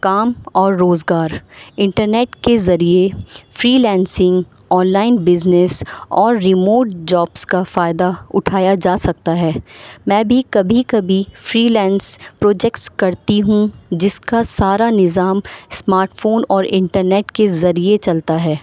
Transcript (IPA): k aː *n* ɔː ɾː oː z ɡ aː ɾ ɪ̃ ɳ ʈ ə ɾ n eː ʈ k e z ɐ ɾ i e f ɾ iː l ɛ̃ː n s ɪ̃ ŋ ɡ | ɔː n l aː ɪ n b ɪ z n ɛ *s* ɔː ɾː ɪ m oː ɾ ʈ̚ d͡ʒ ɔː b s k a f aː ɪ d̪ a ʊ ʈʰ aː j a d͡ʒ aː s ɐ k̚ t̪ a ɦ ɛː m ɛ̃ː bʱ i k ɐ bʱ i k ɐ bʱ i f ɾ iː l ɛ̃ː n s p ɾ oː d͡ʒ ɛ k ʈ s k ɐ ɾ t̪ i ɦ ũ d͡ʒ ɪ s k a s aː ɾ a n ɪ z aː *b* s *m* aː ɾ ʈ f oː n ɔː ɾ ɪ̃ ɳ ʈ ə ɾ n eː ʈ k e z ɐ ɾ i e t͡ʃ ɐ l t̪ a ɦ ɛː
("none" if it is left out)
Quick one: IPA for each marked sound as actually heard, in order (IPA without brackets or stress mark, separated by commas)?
m, s, m, m